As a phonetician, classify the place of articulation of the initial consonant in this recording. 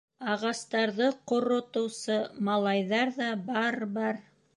uvular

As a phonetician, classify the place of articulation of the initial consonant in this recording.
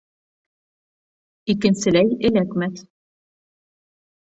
velar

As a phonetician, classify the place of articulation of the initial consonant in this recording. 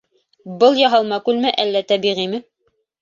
labial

